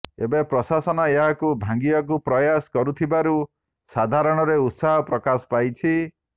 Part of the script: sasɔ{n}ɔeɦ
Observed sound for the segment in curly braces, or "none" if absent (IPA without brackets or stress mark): n